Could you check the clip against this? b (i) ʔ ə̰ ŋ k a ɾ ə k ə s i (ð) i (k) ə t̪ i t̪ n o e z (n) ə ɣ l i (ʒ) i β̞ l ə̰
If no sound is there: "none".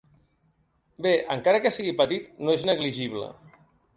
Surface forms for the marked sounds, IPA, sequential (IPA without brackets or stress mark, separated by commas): e, ɣ, p, n, ʒ